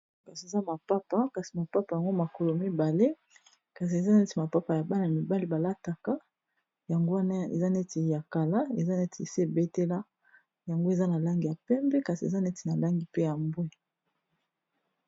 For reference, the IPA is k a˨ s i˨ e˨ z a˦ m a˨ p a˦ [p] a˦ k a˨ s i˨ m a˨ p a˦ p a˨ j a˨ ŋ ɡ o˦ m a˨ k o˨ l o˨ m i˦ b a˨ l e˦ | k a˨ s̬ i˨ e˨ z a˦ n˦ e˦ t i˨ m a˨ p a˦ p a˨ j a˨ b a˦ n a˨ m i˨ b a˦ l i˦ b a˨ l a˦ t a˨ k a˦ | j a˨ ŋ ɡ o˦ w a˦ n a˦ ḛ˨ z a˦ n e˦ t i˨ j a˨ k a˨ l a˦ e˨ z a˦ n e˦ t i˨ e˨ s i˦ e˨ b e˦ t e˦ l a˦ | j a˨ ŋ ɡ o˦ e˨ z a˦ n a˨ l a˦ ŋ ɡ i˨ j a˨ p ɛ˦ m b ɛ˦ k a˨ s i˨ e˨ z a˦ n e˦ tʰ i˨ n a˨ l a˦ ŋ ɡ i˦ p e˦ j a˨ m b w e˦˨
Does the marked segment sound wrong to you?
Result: no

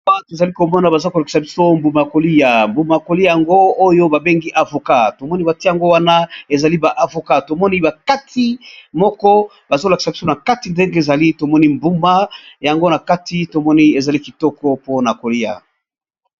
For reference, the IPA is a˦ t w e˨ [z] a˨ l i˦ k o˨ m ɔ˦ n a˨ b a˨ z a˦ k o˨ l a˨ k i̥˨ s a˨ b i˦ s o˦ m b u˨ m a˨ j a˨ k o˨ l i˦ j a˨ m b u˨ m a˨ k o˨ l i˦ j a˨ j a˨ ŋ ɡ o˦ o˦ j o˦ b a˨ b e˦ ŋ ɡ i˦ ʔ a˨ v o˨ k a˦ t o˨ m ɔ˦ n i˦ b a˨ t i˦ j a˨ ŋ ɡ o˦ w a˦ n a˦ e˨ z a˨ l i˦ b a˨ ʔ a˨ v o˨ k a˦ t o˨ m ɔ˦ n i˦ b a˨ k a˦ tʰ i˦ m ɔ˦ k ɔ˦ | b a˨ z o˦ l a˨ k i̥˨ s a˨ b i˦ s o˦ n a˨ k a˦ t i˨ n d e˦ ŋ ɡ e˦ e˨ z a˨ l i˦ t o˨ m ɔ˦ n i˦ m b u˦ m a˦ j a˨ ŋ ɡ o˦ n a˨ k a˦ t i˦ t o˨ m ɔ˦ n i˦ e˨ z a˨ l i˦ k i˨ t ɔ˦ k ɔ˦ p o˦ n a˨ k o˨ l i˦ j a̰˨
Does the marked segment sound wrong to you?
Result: no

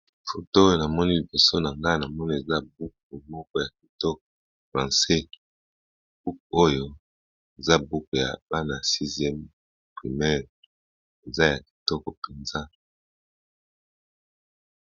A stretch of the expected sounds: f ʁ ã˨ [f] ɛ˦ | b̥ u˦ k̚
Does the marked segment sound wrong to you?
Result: yes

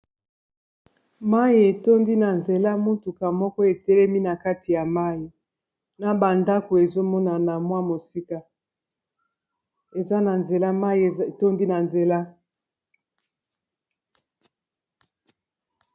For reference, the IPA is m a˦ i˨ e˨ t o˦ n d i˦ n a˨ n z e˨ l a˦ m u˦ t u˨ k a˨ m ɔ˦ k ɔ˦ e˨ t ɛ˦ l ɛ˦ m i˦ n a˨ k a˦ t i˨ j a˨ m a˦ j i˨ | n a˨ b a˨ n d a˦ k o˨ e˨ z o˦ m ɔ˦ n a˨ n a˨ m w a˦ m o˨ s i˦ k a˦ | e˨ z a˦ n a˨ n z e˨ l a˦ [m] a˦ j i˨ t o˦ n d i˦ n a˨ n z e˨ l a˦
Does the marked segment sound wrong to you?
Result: no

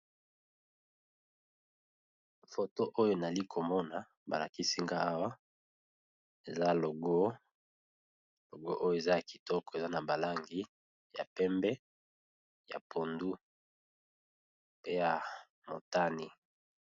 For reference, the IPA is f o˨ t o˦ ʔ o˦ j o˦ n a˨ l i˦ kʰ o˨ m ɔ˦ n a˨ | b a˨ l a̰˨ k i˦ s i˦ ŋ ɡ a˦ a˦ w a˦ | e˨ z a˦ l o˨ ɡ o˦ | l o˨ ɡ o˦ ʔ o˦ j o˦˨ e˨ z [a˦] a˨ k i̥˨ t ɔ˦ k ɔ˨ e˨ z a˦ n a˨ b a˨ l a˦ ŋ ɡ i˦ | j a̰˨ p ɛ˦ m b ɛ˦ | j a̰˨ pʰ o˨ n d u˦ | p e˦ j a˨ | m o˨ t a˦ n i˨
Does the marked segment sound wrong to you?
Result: no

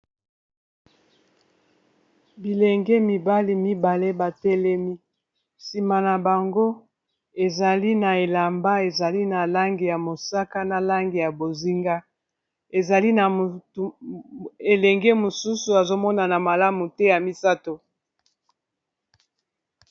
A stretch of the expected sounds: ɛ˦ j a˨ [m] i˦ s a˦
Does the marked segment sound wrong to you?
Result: no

